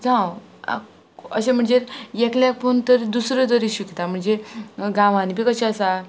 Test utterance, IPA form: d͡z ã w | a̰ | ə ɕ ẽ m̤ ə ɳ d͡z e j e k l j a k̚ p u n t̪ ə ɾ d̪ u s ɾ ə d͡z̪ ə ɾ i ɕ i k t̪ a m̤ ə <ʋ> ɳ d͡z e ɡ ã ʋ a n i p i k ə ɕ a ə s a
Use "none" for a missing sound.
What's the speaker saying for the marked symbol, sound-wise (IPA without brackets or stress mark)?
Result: none